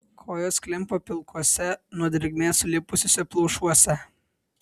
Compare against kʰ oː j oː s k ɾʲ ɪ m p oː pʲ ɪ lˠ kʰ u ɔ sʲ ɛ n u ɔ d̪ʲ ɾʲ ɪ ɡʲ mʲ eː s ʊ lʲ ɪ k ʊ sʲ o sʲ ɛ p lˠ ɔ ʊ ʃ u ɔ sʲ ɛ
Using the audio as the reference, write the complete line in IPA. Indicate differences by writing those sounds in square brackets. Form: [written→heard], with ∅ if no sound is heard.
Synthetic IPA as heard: kʰ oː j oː s k [ɾʲ→lʲ] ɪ m p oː pʲ ɪ lˠ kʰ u ɔ sʲ ɛ n u ɔ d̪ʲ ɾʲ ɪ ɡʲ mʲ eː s ʊ lʲ ɪ [k→p] ʊ sʲ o sʲ ɛ p lˠ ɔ ʊ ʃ u ɔ sʲ ɛ

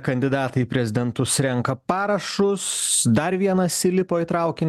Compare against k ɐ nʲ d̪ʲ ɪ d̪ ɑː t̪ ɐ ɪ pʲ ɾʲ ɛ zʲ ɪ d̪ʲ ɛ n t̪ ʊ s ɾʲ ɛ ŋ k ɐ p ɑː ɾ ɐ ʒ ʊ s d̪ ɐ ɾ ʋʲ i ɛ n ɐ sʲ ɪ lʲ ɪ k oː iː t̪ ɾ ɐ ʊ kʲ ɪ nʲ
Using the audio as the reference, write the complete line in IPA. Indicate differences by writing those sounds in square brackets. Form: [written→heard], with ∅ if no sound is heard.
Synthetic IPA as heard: k ɐ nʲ d̪ʲ ɪ d̪ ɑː t̪ ɐ ɪ pʲ ɾʲ ɛ zʲ ɪ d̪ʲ ɛ n t̪ ʊ s ɾʲ ɛ ŋ k ɐ p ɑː ɾ ɐ [ʒ→ʃ] ʊ s d̪ ɐ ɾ ʋʲ i ɛ n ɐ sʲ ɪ lʲ ɪ [k→p] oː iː t̪ ɾ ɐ ʊ kʲ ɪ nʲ

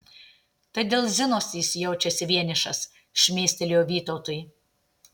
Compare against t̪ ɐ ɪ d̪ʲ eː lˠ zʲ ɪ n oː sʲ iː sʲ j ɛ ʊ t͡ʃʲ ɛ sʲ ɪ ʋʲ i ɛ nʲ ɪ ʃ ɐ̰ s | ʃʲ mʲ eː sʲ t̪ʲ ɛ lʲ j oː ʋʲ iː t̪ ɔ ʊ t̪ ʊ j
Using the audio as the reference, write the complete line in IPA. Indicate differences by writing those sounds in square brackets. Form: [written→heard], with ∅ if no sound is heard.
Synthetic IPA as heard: t̪ ɐ ɪ d̪ʲ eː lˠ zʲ ɪ n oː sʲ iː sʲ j ɛ ʊ t͡ʃʲ ɛ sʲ ɪ ʋʲ i ɛ nʲ ɪ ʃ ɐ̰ s | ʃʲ mʲ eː sʲ t̪ʲ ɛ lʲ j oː ʋʲ iː t̪ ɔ ʊ t̪ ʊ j

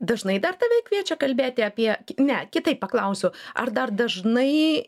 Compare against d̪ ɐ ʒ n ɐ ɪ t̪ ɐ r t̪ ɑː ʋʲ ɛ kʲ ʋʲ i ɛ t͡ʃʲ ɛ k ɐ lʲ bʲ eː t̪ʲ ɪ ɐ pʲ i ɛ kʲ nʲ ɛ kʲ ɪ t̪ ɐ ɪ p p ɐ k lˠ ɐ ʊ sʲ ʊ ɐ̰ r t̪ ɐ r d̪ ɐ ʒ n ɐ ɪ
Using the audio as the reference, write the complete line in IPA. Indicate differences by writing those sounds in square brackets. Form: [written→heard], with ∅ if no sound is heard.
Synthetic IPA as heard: d̪ ɐ ʒ n ɐ ɪ [t̪→d̪] ɐ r t̪ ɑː ʋʲ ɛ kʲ ʋʲ i ɛ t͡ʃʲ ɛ k ɐ lʲ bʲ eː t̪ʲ ɪ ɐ pʲ i ɛ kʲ nʲ ɛ kʲ ɪ t̪ ɐ ɪ p p ɐ k lˠ ɐ ʊ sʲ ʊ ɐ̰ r [t̪→d̪] ɐ r d̪ ɐ ʒ n ɐ ɪ

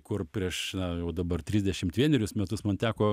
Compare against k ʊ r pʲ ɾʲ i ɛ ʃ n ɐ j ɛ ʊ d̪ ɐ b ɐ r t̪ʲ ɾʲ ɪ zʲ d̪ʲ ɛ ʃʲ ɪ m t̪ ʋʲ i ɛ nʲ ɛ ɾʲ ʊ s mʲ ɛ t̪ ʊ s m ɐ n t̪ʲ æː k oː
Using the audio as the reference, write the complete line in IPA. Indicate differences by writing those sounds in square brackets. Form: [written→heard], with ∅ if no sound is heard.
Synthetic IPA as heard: k ʊ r pʲ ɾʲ i ɛ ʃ n ɐ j ɛ ʊ d̪ ɐ b ɐ r t̪ʲ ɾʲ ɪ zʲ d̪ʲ ɛ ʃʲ ɪ m t̪ ʋʲ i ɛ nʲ ɛ ɾʲ ʊ s mʲ ɛ t̪ ʊ s m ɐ n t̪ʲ æː k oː

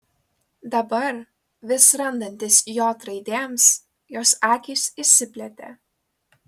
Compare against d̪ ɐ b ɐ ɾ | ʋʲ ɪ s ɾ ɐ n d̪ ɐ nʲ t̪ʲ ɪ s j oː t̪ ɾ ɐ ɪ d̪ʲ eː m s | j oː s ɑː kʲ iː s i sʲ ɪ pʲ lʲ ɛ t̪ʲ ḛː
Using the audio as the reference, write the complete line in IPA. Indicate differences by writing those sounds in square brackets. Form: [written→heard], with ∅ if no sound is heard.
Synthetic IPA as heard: d̪ ɐ b ɐ ɾ | ʋʲ ɪ s ɾ ɐ n d̪ ɐ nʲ t̪ʲ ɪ s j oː t̪ ɾ ɐ ɪ d̪ʲ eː m s | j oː s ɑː kʲ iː s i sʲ ɪ pʲ lʲ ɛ t̪ʲ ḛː

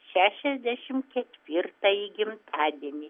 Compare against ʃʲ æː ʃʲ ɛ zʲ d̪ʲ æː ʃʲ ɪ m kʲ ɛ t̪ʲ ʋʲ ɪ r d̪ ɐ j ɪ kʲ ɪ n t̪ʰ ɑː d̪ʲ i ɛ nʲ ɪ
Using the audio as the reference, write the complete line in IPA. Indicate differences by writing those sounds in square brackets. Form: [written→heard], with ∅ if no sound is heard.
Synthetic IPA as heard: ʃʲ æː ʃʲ ɛ zʲ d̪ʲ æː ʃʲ ɪ m kʲ ɛ t̪ʲ ʋʲ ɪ r [d̪→t̪] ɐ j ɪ [kʲ→ɡʲ] ɪ [n→m] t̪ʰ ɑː d̪ʲ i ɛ nʲ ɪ

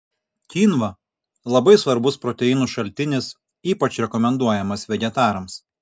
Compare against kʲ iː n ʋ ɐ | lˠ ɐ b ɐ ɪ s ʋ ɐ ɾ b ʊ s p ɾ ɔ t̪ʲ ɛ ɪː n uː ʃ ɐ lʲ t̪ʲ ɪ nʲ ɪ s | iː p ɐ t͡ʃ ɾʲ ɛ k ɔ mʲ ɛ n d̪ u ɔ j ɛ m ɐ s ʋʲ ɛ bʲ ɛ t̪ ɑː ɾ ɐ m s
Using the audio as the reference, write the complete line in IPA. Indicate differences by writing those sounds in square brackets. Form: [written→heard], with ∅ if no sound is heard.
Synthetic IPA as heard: kʲ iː n ʋ ɐ | lˠ ɐ b ɐ ɪ s ʋ ɐ ɾ b ʊ s p ɾ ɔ t̪ʲ ɛ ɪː n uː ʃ ɐ lʲ t̪ʲ ɪ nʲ ɪ s | iː p ɐ t͡ʃ ɾʲ ɛ k ɔ mʲ ɛ n d̪ u ɔ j ɛ m ɐ s ʋʲ ɛ [bʲ→ɡʲ] ɛ t̪ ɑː ɾ ɐ m s

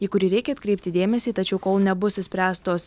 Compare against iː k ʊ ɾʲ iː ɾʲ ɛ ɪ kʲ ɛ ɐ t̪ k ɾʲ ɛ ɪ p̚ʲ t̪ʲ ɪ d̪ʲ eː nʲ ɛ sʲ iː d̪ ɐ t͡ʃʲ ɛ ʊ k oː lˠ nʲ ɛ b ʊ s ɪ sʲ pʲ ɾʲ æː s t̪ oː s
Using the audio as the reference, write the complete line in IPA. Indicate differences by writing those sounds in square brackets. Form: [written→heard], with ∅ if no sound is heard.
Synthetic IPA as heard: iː k ʊ ɾʲ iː ɾʲ ɛ ɪ kʲ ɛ ɐ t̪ k ɾʲ ɛ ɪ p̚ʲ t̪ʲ ɪ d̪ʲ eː [nʲ→mʲ] ɛ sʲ iː [d̪→t̪] ɐ t͡ʃʲ ɛ ʊ k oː lˠ nʲ ɛ b ʊ s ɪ sʲ pʲ ɾʲ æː s t̪ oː s

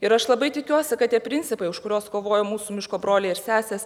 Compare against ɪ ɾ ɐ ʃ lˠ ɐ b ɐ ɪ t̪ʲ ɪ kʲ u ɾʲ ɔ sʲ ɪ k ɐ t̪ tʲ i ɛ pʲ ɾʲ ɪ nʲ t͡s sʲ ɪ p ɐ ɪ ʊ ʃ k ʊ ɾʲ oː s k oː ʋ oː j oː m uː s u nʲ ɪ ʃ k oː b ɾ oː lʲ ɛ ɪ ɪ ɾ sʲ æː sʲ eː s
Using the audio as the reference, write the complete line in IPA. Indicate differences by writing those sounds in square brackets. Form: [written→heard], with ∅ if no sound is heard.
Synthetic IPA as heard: ɪ ɾ ɐ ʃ lˠ ɐ b ɐ ɪ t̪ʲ ɪ kʲ u [ɾʲ→∅] ɔ sʲ ɪ k ɐ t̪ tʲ i ɛ pʲ ɾʲ ɪ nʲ t͡s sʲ ɪ p ɐ ɪ ʊ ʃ k ʊ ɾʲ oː s k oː ʋ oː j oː m uː s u [nʲ→mʲ] ɪ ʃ k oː b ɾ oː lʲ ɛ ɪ ɪ ɾ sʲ æː sʲ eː s

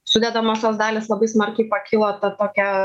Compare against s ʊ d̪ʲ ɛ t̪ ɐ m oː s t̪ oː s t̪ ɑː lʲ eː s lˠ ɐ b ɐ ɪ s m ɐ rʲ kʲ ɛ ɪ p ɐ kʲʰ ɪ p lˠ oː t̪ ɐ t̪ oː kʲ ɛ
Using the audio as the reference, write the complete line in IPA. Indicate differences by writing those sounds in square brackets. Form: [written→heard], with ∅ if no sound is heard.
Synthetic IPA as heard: s ʊ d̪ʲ ɛ [t̪→d̪] ɐ m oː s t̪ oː s [t̪→d̪] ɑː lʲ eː s lˠ ɐ b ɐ ɪ s m ɐ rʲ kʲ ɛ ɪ p ɐ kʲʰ ɪ [p→∅] lˠ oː t̪ ɐ t̪ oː kʲ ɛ

